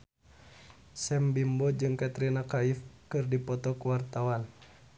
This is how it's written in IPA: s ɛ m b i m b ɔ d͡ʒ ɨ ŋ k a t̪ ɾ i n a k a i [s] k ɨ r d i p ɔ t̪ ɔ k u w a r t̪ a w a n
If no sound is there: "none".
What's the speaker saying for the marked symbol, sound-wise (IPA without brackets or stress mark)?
f